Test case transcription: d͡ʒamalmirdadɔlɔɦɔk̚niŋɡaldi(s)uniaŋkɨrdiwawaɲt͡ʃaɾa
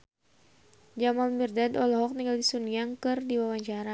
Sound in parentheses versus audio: correct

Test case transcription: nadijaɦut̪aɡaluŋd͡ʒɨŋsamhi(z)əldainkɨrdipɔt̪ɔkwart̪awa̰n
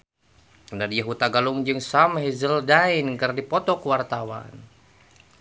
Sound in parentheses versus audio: correct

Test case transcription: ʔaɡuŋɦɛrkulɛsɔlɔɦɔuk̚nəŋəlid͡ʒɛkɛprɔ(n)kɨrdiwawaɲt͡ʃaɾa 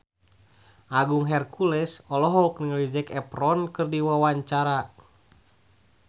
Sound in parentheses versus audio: correct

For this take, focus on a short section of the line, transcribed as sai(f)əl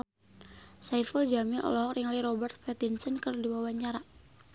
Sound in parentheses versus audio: correct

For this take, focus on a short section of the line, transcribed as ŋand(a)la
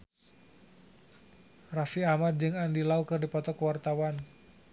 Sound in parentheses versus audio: incorrect: i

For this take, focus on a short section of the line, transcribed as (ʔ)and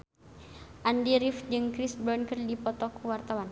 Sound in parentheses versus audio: correct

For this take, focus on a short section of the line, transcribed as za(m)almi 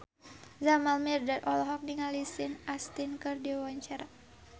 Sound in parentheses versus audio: correct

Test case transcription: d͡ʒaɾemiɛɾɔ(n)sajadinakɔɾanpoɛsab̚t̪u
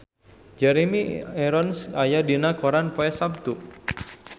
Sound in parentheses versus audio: correct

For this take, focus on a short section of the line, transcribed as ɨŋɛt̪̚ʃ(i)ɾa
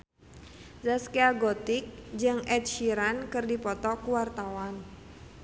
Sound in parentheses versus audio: correct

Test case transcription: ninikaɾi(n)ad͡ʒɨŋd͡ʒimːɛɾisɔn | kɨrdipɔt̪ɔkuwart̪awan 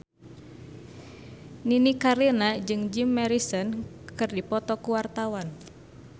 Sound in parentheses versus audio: correct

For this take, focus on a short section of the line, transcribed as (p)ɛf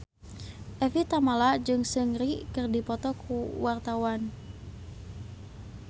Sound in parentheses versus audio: incorrect: ʔ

